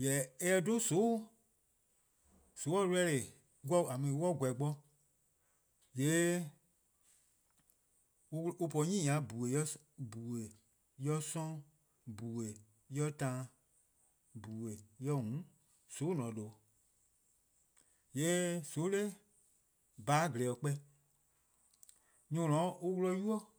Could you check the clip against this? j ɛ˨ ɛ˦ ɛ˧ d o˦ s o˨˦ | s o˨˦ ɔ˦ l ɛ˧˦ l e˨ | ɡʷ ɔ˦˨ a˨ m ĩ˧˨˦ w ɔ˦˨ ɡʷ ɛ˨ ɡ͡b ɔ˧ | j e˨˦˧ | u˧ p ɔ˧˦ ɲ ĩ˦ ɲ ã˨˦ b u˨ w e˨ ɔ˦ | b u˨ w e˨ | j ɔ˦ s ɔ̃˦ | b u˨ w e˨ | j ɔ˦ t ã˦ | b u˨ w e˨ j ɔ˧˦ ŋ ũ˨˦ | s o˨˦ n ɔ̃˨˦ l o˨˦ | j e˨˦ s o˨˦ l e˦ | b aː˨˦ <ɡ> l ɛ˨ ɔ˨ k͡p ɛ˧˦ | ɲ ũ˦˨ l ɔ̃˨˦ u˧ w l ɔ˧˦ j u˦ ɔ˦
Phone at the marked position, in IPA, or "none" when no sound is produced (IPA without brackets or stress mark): ɡ